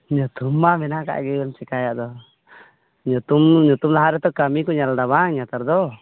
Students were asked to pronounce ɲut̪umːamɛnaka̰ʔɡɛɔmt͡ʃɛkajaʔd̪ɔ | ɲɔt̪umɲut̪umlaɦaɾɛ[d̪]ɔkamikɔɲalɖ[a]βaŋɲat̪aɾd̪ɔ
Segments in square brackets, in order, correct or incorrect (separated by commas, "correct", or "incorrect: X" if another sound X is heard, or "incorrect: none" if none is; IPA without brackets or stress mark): incorrect: t̪, correct